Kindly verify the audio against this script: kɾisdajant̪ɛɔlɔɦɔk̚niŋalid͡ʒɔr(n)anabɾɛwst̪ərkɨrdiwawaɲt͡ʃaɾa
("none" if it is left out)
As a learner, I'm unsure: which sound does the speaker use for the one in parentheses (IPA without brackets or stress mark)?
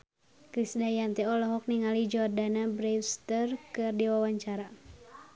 d